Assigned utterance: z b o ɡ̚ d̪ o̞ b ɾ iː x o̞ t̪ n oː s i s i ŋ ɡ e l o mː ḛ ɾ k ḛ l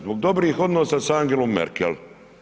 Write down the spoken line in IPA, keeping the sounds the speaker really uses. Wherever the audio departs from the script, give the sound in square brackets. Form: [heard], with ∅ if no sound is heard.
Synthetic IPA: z b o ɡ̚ d̪ o̞ b ɾ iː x o̞ [d̪] n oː s [a] s [a] ŋ ɡ e l o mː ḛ ɾ k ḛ l